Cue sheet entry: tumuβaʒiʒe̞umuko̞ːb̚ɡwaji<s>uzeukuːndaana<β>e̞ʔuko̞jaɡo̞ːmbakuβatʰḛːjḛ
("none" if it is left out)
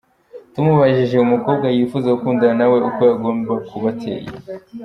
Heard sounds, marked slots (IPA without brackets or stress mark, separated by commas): f, w